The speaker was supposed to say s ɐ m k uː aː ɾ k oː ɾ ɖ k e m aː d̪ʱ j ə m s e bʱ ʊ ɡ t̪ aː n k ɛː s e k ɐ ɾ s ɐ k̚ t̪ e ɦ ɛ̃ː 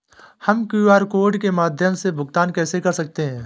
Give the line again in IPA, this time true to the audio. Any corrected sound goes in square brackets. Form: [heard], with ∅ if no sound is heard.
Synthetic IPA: [h] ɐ m k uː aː ɾ k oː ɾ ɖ k e m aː d̪ʱ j ə m s e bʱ ʊ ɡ t̪ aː n k ɛː s e k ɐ ɾ s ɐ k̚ t̪ e ɦ ɛ̃ː